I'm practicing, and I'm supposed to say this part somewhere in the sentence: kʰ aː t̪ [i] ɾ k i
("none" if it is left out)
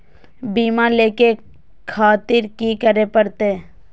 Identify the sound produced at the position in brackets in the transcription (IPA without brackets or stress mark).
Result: ɪ